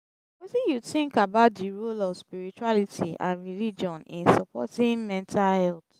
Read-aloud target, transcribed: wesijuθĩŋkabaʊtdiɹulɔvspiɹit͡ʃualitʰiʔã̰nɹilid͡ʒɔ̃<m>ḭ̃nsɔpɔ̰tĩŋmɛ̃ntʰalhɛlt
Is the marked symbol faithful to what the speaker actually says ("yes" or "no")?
no